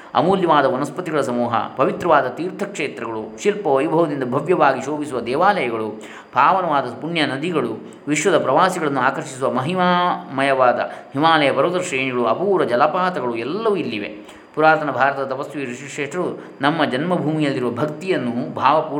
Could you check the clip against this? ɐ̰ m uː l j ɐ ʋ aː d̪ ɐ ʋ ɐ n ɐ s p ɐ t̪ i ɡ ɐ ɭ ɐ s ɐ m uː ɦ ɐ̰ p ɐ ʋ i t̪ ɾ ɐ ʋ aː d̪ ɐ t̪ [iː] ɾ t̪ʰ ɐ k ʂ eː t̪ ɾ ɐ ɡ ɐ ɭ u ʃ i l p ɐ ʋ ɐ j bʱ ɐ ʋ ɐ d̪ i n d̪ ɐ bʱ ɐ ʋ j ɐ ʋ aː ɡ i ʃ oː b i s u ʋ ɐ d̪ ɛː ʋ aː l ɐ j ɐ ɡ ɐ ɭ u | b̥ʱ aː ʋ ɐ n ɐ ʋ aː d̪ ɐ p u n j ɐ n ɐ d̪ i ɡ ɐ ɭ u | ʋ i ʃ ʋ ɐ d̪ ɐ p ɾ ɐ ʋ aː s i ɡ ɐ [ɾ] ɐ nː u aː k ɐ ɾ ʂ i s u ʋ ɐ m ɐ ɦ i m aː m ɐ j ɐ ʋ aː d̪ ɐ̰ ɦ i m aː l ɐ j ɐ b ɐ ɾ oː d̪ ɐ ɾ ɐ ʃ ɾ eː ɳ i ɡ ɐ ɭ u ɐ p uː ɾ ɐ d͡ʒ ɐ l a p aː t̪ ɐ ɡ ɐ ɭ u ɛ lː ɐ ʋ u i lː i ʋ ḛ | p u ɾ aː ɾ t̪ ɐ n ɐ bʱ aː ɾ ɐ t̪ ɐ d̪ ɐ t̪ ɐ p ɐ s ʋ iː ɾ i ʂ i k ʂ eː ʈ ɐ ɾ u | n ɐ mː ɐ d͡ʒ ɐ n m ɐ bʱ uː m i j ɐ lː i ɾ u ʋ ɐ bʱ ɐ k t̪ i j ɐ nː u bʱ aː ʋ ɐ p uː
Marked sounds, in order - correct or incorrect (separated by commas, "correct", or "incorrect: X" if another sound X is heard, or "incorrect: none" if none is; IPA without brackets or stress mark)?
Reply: correct, incorrect: ɭ